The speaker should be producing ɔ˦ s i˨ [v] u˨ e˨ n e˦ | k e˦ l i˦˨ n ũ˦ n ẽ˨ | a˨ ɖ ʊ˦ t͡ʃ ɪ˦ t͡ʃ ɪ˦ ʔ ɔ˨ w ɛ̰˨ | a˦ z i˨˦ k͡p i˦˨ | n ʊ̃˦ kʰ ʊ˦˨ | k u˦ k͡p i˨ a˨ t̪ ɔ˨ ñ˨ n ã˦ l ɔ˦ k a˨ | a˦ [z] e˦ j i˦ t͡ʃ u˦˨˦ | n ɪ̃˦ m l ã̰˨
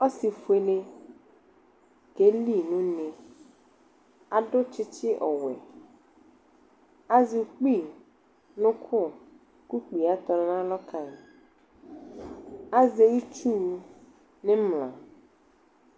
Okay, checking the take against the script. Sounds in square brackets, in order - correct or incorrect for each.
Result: incorrect: f, correct

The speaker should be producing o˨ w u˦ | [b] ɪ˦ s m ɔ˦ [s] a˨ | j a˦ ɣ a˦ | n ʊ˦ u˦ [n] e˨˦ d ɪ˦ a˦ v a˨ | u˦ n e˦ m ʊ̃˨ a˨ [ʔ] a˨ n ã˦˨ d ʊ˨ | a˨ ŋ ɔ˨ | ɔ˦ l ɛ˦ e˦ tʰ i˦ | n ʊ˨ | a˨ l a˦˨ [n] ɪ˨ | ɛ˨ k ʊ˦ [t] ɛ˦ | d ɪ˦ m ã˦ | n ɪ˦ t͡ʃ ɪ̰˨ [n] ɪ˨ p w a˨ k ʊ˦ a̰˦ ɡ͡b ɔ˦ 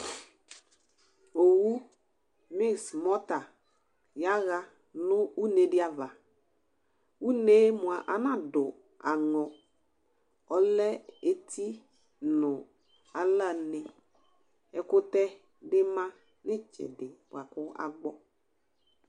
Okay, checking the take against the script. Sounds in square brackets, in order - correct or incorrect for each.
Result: incorrect: m, incorrect: t, correct, correct, correct, correct, incorrect: d

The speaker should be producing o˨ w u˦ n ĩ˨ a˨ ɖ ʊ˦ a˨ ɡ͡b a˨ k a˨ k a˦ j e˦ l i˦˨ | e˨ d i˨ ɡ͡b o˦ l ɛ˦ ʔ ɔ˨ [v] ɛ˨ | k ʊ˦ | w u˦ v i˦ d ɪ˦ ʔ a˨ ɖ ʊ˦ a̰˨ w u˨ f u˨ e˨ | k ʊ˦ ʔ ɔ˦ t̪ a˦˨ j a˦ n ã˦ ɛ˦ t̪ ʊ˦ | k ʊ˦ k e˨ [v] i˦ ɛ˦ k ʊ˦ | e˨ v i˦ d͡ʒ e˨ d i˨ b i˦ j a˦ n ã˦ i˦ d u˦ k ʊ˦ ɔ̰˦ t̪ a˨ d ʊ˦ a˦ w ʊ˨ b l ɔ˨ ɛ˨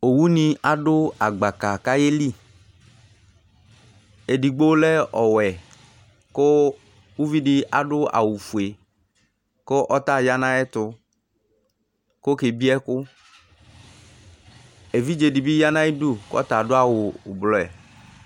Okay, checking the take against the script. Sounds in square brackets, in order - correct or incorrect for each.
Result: incorrect: w, incorrect: b

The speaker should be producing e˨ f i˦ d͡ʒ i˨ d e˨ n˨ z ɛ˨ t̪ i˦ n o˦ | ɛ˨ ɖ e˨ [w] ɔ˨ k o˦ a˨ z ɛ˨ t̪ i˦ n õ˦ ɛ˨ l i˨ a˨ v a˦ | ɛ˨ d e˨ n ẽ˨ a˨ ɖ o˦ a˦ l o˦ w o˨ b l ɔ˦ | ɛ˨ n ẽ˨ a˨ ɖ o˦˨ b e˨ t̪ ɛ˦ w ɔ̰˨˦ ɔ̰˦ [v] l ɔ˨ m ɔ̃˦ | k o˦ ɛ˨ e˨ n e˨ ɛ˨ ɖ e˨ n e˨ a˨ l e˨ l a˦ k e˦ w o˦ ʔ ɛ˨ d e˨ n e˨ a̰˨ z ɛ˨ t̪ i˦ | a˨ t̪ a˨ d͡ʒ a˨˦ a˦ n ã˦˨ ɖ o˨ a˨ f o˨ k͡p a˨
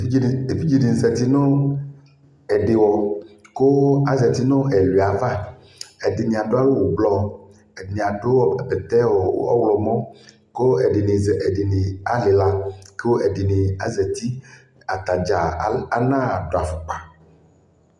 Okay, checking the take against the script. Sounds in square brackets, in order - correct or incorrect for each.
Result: correct, incorrect: w

